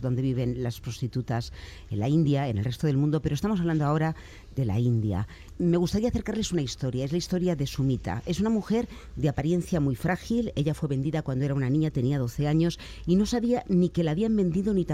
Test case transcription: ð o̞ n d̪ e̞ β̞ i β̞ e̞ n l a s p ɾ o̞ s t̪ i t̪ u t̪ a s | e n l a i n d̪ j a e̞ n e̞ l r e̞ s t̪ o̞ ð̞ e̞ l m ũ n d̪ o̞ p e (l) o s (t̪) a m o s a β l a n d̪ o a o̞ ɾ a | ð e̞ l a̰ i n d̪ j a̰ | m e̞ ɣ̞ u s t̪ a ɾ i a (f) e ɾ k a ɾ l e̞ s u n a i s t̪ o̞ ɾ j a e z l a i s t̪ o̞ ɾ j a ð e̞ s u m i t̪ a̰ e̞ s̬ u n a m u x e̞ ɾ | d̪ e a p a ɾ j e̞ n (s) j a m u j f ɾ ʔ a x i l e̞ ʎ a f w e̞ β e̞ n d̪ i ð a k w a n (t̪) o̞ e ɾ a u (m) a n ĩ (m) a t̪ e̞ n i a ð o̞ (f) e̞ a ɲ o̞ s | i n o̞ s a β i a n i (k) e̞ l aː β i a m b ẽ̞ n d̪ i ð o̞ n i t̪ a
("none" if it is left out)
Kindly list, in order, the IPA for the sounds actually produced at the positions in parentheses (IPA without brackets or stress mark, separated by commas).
ɾ, t̪, θ, θ, d̪, n, ɲ, θ, k